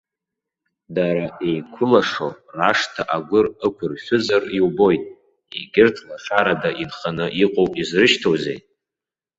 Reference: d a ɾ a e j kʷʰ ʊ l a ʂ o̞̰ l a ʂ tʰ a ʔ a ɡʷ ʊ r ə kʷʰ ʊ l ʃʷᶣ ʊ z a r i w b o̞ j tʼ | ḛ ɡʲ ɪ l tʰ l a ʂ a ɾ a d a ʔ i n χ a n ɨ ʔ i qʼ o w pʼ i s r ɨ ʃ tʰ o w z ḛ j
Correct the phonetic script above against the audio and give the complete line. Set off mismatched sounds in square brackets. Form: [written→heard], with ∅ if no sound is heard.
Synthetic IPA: d a ɾ a e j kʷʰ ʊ l a ʂ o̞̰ [l→r] a ʂ tʰ a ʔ a ɡʷ ʊ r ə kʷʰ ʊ [l→r] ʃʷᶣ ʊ z a r i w b o̞ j tʼ | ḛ ɡʲ ɪ [l→r] tʰ l a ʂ a ɾ a d a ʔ i n χ a n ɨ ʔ i qʼ o w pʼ i [s→z] r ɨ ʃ tʰ o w z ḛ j